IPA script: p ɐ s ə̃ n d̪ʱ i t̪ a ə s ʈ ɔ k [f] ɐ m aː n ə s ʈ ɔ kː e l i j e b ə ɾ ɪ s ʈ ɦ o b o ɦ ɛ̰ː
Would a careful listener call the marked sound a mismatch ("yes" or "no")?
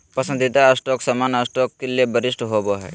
yes